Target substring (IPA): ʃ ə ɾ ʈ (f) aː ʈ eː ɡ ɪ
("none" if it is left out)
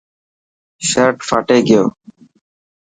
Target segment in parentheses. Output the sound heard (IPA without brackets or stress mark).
f